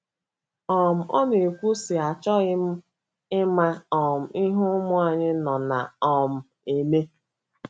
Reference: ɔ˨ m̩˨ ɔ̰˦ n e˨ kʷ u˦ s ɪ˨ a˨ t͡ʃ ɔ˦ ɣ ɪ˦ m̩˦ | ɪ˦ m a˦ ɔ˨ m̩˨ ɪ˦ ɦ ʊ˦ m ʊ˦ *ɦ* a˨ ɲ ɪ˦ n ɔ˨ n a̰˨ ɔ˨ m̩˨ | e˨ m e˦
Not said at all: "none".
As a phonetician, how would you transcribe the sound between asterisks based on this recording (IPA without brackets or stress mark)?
none